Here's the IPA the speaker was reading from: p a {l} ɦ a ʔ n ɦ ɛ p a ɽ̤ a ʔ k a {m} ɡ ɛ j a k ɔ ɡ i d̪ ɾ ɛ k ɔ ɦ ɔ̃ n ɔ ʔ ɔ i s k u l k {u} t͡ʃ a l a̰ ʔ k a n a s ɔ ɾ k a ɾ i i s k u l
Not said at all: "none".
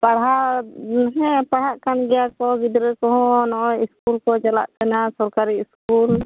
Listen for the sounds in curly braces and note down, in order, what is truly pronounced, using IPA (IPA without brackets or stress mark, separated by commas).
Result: ɽ, n, ɔ